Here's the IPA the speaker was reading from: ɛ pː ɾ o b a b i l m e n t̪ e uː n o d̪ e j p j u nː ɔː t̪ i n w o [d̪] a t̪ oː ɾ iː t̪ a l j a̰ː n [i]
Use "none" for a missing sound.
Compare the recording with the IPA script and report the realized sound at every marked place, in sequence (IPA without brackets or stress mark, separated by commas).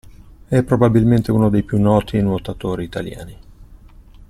t̪, i